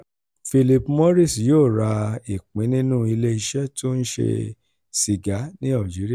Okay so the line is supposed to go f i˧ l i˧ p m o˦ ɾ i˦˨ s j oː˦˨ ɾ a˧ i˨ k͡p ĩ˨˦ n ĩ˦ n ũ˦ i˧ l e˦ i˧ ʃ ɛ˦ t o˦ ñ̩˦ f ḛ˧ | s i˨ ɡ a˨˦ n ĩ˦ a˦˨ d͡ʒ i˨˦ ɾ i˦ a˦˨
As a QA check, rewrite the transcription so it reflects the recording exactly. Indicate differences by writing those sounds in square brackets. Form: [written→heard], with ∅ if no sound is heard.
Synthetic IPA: f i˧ l i˧ p m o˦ ɾ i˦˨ s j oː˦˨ ɾ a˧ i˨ k͡p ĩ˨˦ n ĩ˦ n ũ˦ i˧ l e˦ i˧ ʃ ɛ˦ t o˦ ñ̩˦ [f→ʃ] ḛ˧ | s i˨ ɡ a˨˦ n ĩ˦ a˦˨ d͡ʒ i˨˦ ɾ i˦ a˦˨